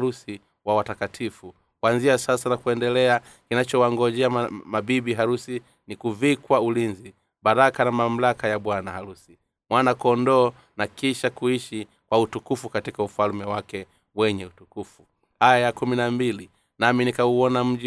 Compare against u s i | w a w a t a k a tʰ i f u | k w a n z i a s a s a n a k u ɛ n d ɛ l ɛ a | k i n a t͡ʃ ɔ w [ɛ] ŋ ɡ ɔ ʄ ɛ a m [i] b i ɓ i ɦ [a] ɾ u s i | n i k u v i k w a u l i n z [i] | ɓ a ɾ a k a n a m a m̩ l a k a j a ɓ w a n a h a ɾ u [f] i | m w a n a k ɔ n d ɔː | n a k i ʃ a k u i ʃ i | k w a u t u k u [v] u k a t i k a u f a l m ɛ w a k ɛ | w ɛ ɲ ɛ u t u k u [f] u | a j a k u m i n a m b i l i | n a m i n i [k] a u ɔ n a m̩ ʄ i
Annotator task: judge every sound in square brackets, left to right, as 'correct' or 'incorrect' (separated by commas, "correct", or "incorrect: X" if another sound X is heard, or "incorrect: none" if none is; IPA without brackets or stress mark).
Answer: incorrect: a, incorrect: a, correct, correct, incorrect: s, incorrect: f, correct, correct